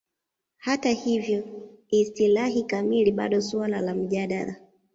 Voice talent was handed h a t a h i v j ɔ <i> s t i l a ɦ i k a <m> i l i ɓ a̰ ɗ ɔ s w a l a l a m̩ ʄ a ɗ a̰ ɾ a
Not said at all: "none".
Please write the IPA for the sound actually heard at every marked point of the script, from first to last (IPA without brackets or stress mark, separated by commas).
i, m